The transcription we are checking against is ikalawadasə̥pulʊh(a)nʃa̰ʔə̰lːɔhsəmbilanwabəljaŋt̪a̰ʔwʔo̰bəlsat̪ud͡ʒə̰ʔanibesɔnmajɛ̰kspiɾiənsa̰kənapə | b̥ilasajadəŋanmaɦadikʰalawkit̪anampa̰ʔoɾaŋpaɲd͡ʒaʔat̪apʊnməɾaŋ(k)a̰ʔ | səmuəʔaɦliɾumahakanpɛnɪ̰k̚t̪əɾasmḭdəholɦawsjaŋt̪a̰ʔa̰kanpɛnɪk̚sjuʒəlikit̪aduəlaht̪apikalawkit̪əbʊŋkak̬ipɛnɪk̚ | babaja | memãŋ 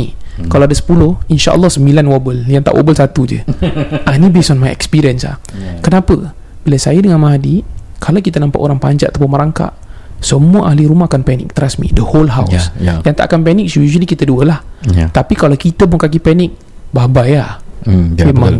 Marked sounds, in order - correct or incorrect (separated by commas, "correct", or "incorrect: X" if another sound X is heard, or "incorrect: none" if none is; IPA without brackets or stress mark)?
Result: incorrect: i, correct